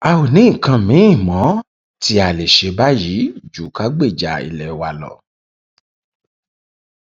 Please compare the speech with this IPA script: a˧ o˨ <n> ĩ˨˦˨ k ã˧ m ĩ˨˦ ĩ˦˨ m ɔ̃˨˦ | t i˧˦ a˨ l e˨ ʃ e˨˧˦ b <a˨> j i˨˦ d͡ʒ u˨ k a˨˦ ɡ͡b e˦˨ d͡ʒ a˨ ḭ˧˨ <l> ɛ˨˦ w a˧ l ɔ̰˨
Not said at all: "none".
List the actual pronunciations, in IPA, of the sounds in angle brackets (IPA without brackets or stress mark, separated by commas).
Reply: n, a˦, l